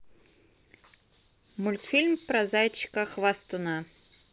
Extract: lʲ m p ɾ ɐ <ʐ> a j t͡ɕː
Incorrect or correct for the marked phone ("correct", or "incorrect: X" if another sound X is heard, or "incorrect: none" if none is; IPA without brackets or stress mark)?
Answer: incorrect: z